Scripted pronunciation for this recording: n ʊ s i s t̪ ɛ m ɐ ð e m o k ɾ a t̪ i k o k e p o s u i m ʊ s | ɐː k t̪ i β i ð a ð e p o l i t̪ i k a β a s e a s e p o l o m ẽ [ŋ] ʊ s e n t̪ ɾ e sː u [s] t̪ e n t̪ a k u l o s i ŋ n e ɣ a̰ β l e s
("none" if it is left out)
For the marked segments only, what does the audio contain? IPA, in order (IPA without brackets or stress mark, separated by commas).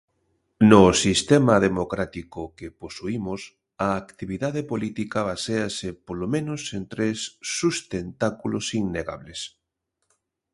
n, s